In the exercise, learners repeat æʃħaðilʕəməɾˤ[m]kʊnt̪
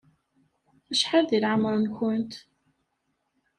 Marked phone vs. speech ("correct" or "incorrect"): incorrect